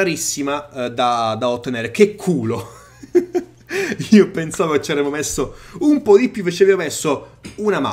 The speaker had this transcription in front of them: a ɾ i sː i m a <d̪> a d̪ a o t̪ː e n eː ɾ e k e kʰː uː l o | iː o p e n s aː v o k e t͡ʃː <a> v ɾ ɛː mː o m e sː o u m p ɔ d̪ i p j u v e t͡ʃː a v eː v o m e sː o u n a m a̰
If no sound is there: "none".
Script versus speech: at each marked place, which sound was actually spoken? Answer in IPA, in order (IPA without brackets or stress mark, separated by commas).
d̪, a